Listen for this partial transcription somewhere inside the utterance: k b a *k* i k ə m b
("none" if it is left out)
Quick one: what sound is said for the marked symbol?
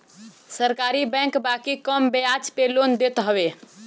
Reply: k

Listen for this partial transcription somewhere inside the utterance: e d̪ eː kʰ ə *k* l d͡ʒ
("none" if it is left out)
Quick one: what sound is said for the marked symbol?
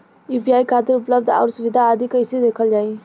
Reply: none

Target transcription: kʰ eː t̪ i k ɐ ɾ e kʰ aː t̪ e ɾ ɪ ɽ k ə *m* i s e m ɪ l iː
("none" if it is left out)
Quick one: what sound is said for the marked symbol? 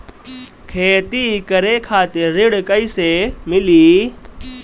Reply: none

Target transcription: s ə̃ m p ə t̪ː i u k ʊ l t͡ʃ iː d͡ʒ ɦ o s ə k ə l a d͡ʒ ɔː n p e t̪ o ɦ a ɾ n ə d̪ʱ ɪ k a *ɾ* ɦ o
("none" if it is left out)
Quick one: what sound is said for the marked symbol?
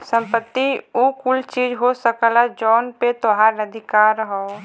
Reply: ɾ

